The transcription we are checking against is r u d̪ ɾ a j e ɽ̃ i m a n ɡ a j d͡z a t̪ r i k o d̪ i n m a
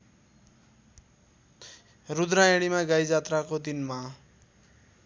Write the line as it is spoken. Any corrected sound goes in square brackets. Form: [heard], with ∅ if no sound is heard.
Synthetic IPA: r u d̪ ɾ a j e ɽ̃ i m a [∅] ɡ a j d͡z a t̪ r [a] k o d̪ i n m a